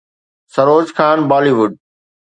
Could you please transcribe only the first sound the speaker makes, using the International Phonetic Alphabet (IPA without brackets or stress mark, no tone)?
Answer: s